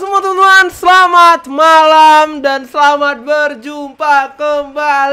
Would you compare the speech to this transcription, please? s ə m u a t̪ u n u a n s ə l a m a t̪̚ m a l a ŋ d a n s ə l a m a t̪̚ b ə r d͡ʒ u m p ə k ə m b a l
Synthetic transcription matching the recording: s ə m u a t̪ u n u a n s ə l a m a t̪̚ m a l a m d a n s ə l a m a t̪̚ b ə r d͡ʒ u m p a k ə m b a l